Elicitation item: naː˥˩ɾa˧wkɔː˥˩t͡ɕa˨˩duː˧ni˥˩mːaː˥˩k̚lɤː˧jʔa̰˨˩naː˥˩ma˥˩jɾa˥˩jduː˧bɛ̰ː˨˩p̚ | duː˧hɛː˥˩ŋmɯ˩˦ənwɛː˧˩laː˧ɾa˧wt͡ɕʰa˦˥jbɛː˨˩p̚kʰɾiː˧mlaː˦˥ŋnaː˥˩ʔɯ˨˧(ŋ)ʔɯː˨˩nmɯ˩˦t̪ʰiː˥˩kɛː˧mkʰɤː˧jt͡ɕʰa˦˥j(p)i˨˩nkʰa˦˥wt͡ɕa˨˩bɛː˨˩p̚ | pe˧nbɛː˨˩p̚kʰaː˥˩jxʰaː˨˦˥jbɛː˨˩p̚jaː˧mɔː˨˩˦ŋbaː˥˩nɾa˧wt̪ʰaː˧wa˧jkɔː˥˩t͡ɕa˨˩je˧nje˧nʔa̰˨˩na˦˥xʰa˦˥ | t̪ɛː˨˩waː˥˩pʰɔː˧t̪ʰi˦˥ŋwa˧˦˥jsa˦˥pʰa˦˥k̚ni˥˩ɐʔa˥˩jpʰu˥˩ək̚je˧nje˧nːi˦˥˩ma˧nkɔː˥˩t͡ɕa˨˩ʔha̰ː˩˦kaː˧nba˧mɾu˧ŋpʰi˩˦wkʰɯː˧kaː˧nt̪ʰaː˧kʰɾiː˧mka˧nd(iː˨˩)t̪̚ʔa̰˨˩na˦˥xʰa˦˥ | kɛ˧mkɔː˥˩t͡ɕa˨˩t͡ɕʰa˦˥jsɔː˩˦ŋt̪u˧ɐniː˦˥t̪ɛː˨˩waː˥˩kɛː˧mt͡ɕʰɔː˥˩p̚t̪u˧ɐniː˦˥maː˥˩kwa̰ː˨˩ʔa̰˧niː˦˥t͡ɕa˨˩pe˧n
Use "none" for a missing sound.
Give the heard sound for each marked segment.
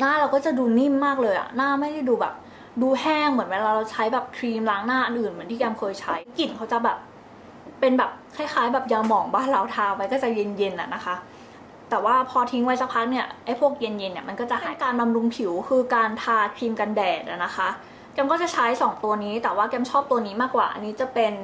n, k, ɛː˨˩

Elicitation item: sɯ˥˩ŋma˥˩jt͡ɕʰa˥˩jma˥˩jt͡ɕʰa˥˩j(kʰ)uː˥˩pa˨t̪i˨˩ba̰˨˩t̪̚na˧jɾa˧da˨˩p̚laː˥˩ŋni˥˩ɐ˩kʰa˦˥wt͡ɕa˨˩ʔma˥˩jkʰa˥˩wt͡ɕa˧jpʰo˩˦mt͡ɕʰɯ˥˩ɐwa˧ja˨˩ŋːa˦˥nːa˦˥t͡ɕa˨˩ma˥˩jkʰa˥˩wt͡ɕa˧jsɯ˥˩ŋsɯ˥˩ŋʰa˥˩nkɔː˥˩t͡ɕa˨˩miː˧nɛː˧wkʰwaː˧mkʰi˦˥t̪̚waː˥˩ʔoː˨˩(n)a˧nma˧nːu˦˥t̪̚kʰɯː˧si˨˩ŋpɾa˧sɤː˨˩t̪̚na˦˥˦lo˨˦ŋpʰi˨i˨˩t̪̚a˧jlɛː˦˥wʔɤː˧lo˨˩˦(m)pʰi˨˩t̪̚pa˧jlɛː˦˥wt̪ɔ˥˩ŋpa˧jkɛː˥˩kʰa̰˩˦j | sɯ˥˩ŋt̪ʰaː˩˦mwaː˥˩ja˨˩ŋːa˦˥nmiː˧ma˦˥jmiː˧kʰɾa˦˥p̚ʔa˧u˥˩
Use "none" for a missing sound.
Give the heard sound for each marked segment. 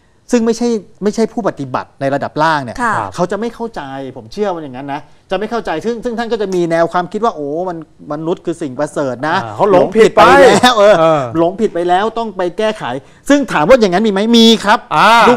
pʰ, m, ŋ

